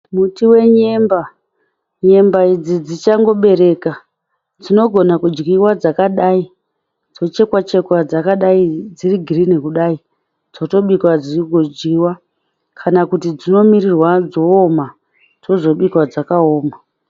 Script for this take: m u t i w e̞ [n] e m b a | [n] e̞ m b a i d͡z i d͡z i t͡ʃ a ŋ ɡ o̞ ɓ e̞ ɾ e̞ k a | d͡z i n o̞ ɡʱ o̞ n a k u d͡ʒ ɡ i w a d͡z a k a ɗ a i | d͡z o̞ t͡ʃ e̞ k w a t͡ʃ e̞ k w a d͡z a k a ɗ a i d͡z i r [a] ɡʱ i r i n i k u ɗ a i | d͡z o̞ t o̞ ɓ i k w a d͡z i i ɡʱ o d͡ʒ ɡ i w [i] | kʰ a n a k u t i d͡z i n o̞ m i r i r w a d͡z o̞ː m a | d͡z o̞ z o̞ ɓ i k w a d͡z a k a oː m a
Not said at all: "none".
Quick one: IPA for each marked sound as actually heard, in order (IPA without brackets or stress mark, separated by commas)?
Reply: ɲ, ɲ, i, a